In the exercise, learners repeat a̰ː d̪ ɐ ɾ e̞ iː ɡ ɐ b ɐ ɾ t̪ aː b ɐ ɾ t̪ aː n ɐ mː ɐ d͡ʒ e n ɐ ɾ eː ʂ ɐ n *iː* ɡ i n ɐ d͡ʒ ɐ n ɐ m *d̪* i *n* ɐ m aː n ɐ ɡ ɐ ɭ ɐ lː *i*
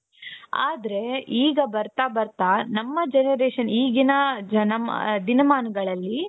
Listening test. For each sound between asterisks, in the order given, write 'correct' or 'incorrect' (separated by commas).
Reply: correct, correct, correct, correct